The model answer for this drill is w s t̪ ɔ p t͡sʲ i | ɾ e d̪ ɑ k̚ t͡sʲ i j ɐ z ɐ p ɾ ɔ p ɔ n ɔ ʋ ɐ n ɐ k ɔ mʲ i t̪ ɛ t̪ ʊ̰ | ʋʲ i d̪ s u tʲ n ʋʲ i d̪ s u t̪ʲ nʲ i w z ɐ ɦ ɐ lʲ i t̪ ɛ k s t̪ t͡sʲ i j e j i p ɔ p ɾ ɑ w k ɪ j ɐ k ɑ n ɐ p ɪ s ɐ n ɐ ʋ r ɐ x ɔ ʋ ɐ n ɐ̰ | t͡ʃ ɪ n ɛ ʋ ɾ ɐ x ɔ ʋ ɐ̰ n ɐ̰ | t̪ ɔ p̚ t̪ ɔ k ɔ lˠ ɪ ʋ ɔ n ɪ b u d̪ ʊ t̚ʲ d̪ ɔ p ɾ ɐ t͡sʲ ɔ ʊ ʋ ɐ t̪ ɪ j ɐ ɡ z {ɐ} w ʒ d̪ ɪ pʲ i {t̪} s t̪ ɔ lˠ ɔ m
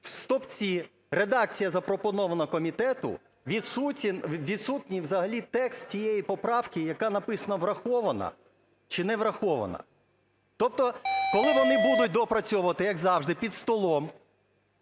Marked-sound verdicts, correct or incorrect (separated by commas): incorrect, incorrect